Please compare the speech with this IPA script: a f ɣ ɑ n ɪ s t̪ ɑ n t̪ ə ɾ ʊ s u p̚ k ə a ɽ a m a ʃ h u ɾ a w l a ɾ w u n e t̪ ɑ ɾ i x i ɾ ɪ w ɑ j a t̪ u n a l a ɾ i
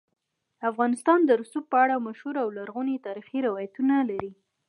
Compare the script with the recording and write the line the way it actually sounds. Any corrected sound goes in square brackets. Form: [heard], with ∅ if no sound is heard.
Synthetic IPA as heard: a f ɣ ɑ n ɪ s t̪ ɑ n [d̪] ə ɾ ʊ s u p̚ [p] ə a ɽ a m a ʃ h u ɾ a w l a ɾ [ɣ] u n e t̪ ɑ ɾ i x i ɾ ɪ w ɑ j a t̪ u n a l a ɾ i